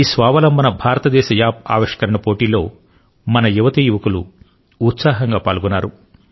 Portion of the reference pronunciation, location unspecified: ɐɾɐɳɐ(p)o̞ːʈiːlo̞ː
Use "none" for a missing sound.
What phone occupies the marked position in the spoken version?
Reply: p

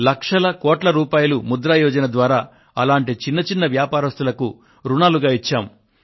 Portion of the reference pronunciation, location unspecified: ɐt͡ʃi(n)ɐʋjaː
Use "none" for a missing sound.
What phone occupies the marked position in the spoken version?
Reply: nː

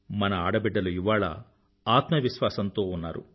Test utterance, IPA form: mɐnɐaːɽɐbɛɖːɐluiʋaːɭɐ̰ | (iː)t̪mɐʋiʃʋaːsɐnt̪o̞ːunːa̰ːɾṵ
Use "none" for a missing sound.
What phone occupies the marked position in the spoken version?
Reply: aː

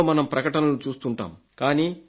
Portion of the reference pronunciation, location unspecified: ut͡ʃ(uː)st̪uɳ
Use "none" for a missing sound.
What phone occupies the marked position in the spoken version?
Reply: uː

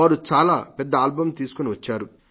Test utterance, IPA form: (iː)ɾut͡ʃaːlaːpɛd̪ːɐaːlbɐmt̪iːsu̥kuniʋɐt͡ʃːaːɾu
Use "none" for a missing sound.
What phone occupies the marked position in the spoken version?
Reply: aː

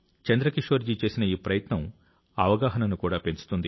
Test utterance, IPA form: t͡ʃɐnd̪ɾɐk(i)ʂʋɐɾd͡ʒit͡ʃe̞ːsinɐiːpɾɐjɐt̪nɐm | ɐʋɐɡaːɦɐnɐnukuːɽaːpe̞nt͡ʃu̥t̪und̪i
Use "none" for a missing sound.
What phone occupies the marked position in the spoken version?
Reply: i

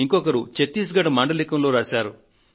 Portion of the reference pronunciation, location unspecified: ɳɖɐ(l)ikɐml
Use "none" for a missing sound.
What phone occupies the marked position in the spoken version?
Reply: l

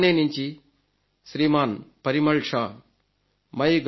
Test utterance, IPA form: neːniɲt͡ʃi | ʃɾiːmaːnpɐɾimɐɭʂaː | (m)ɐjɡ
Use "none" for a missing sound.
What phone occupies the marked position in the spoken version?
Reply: m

